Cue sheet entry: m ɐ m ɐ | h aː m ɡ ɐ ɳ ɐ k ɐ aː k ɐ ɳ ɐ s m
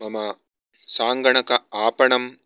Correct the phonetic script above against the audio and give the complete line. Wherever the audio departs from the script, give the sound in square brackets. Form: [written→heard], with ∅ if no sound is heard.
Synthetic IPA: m ɐ m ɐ | [h→s] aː [m→ŋ] ɡ ɐ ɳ ɐ k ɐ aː [k→p] ɐ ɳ ɐ [s→∅] m